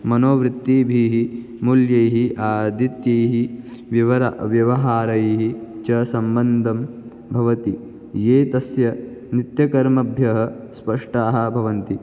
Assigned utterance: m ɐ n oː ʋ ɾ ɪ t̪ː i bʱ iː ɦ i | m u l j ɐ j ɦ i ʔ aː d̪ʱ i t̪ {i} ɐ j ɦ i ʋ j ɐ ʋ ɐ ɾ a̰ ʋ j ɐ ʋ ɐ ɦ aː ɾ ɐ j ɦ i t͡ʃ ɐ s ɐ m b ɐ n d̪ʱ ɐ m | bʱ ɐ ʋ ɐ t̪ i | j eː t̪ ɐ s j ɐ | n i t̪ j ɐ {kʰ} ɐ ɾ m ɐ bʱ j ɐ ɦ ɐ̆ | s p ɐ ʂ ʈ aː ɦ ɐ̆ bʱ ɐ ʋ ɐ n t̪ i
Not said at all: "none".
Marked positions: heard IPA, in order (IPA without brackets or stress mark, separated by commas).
j, k